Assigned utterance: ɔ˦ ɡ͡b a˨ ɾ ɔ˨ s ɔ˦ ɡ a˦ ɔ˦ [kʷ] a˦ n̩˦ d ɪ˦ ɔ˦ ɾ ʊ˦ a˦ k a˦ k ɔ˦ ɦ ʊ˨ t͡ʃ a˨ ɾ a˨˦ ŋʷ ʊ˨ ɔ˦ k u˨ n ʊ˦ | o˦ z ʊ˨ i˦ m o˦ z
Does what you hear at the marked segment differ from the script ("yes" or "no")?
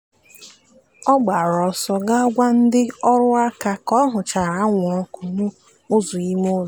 yes